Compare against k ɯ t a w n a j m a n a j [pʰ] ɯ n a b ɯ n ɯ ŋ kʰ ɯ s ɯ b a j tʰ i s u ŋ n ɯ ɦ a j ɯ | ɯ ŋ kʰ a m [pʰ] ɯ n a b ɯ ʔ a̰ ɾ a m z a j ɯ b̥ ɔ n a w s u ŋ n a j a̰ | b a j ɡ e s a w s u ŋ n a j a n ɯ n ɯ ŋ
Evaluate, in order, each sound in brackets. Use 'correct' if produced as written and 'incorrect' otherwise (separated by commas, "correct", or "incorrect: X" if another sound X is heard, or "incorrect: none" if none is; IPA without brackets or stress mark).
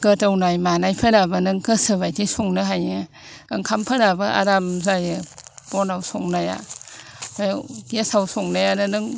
correct, correct